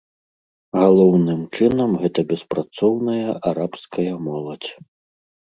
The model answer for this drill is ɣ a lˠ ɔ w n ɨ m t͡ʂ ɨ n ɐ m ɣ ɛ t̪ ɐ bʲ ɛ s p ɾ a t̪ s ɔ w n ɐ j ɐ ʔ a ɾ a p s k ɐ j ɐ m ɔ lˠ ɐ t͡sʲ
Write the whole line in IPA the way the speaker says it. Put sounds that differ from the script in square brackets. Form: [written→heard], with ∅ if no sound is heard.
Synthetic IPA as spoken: ɣ a lˠ ɔ w n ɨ m t͡ʂ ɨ n ɐ m ɣ ɛ t̪ ɐ bʲ ɛ s p ɾ a t̪ s ɔ w n ɐ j ɐ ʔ a ɾ a p s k ɐ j ɐ m ɔ lˠ ɐ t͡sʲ